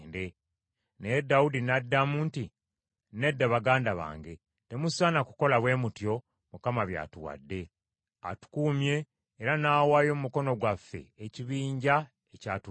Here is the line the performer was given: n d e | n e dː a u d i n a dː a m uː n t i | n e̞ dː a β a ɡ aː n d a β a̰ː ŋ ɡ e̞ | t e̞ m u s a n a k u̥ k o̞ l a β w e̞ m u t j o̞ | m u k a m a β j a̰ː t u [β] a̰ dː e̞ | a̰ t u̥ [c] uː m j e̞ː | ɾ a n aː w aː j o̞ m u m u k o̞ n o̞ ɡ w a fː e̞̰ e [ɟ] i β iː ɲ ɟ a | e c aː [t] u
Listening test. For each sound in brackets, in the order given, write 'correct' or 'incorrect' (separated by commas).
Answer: incorrect, incorrect, incorrect, correct